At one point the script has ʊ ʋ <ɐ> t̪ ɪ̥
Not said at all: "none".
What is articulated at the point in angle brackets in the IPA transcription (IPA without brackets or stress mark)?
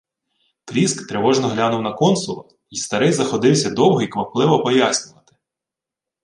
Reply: ɐ